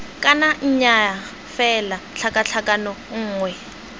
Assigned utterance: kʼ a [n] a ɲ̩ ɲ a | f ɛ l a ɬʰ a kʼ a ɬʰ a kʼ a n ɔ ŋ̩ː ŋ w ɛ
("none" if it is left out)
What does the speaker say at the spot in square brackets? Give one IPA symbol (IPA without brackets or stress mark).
n